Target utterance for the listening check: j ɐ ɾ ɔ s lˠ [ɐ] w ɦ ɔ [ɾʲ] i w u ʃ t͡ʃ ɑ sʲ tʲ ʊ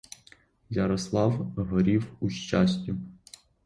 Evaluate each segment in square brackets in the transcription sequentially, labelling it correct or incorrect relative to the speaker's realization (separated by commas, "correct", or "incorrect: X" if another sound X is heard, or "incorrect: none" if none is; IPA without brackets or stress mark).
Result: incorrect: ɑ, correct